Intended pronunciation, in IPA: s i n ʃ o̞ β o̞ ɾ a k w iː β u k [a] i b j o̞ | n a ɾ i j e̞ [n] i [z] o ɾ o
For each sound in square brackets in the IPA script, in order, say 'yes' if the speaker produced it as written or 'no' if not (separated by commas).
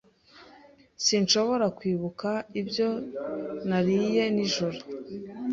yes, yes, no